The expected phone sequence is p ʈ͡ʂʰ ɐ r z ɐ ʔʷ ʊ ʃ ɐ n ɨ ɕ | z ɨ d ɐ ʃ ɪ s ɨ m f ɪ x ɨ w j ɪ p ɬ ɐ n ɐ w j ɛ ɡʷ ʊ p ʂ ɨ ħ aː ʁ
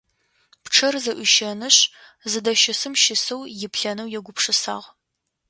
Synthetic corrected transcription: p ʈ͡ʂʰ ɐ r z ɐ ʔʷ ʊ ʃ ɐ n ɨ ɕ | z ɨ d ɐ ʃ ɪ s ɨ m ʃ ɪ s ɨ w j ɪ p ɬ ɐ n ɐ w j ɛ ɡʷ ʊ p ʂ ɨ s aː ʁ

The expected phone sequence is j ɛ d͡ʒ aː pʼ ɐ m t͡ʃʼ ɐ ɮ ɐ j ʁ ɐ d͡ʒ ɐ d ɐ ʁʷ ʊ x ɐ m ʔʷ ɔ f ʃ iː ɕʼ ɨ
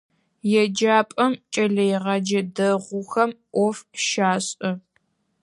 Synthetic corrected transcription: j ɛ d͡ʒ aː pʼ ɐ m t͡ʃʼ ɐ ɮ ɐ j ʁ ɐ d͡ʒ ɐ d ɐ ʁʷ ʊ x ɐ m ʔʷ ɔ f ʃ aː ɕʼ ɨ

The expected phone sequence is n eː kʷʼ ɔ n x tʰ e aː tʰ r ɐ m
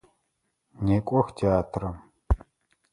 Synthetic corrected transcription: n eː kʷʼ ɔ x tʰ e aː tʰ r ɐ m

